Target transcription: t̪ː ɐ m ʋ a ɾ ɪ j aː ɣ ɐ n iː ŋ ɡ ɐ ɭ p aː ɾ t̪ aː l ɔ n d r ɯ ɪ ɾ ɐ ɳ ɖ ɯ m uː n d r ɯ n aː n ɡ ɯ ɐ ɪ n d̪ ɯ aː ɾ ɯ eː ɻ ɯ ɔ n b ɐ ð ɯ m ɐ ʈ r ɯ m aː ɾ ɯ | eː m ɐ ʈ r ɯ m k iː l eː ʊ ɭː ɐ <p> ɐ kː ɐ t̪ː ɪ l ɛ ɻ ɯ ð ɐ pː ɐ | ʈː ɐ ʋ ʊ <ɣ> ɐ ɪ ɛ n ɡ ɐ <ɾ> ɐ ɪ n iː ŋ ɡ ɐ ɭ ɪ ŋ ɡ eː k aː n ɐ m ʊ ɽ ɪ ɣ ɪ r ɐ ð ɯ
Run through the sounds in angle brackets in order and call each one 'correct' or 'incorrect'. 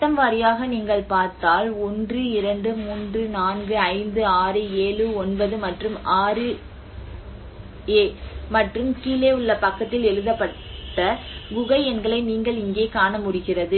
correct, correct, incorrect

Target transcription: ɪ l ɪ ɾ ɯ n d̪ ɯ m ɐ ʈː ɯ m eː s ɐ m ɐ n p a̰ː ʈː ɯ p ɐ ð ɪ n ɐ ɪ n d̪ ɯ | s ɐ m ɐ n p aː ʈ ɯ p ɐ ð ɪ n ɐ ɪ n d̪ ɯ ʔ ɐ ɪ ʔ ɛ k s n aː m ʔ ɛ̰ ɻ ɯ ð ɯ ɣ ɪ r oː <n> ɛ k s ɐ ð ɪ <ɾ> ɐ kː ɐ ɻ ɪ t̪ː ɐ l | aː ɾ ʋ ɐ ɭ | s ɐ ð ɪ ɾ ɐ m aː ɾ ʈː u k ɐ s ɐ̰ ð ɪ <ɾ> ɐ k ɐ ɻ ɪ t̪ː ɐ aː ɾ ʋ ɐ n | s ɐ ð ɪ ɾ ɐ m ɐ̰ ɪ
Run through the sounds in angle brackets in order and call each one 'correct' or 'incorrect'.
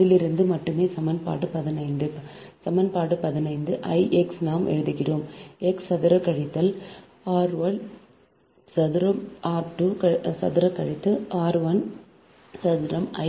incorrect, correct, correct

